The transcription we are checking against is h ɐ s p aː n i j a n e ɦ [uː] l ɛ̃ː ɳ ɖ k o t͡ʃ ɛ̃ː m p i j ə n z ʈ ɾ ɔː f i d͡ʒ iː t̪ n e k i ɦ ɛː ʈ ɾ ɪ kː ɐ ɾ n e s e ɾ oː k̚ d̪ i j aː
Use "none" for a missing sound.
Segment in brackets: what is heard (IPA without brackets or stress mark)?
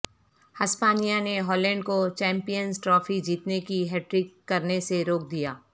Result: ɔː